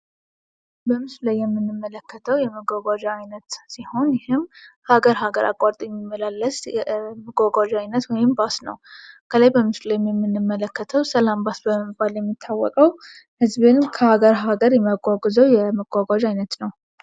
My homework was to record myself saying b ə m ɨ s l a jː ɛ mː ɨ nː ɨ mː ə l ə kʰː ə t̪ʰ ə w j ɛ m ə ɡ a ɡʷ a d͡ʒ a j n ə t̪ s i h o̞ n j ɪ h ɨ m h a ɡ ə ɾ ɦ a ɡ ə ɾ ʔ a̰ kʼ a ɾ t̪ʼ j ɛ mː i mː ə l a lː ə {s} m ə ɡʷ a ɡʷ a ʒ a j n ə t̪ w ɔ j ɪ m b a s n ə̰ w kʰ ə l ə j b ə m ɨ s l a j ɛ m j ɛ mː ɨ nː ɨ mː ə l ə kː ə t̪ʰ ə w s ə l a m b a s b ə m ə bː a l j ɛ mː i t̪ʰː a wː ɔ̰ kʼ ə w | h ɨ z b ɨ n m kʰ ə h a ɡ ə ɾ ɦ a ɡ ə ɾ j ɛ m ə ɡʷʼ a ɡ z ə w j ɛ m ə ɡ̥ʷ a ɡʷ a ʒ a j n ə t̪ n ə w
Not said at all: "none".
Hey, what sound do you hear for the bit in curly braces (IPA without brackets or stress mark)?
s